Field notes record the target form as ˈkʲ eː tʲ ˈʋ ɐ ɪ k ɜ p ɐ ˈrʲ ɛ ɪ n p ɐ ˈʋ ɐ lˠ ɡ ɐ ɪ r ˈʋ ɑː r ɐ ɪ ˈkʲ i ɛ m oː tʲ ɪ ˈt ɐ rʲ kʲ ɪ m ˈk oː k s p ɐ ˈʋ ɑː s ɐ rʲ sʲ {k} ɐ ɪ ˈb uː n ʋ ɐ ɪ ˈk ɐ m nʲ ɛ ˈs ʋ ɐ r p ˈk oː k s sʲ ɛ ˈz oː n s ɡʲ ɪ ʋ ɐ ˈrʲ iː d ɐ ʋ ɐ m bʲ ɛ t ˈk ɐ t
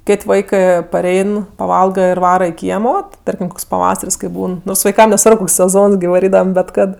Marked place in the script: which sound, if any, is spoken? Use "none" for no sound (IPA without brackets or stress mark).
k